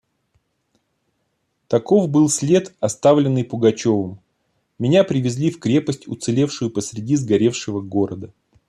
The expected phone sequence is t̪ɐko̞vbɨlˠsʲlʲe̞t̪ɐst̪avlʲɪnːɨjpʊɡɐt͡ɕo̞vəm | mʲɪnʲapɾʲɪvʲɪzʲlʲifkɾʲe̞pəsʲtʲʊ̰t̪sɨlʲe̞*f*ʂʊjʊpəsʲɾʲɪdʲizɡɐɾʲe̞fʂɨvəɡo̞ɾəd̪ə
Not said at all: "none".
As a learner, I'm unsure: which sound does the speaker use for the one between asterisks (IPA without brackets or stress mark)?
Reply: f